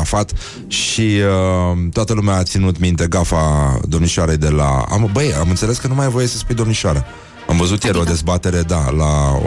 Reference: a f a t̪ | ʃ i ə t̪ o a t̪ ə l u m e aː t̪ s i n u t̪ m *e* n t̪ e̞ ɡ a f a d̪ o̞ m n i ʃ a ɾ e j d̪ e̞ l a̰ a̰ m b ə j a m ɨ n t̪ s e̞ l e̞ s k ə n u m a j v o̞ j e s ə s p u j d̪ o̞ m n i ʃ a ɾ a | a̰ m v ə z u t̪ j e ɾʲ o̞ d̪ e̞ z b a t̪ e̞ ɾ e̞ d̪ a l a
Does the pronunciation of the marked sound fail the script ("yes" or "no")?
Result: yes